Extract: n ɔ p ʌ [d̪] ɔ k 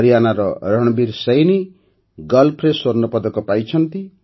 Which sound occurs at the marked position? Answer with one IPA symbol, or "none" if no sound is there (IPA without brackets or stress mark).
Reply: d̪